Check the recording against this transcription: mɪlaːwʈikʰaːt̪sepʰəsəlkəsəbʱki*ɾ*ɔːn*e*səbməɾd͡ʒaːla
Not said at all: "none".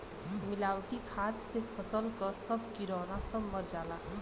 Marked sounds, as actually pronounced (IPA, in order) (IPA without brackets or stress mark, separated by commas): ɾ, a